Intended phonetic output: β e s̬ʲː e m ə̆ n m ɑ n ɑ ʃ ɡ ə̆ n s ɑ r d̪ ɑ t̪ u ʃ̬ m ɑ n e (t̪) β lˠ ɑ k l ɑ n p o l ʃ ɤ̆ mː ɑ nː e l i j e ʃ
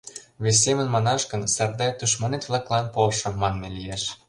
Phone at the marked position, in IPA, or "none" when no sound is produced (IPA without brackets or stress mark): t̪